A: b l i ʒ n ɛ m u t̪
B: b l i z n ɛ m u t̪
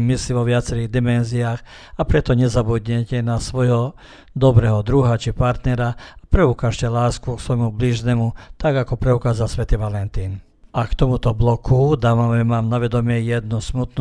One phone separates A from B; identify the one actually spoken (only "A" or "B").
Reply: A